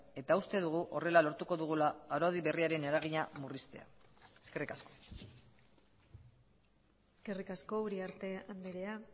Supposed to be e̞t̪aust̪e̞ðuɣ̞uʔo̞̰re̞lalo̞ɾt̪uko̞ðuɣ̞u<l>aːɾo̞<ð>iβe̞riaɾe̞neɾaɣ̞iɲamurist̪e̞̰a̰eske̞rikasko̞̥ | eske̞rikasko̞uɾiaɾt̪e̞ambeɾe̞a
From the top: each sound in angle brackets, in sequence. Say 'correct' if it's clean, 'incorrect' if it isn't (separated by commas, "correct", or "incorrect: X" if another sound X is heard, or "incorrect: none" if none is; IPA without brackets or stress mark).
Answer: correct, correct